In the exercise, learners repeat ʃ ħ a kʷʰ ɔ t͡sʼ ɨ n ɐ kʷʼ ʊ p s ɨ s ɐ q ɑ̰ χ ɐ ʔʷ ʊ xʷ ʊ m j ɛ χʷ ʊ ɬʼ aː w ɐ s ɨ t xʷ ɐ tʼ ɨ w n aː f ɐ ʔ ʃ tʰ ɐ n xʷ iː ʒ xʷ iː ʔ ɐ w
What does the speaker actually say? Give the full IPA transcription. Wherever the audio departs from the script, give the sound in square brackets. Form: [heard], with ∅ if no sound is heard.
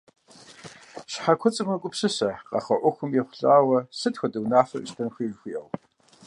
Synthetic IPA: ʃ ħ a kʷʰ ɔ t͡sʼ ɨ [m] ɐ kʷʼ ʊ p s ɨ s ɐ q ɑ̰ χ ɐ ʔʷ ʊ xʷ ʊ m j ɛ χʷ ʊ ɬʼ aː w ɐ s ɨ t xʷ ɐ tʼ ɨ w n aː f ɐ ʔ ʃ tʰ ɐ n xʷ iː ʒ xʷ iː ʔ ɐ w